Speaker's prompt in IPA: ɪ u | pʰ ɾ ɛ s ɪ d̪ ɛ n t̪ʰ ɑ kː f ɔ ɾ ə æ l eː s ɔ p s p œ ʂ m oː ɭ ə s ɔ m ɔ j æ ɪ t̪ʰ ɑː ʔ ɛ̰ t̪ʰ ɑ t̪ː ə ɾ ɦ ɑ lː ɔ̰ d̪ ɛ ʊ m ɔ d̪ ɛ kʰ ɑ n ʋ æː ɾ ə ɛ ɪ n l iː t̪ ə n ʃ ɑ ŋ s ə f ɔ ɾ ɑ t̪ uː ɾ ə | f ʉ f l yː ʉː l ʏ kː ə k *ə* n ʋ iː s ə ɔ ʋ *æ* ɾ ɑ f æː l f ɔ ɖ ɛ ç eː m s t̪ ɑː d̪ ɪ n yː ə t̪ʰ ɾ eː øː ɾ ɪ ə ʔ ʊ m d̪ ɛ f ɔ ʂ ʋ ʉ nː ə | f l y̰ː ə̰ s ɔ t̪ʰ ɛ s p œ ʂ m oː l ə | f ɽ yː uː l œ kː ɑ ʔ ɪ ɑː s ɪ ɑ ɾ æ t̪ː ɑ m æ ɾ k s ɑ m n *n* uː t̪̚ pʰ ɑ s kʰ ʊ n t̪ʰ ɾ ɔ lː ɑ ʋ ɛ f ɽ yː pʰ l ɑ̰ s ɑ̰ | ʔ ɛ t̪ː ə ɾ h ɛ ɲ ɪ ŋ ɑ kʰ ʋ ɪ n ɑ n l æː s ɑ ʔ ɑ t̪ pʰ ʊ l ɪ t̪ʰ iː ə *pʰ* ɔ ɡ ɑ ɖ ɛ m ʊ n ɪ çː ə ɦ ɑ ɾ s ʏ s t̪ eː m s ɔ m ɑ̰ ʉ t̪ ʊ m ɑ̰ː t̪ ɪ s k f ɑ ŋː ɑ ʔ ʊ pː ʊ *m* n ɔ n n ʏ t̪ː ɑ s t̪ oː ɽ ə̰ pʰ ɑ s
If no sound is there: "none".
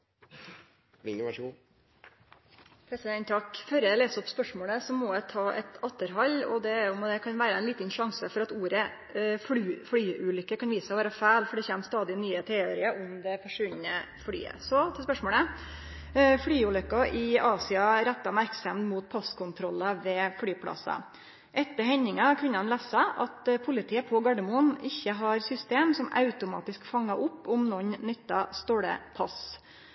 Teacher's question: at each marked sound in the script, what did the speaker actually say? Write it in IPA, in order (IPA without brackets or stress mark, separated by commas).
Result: ɑ, æː, m, pʰ, m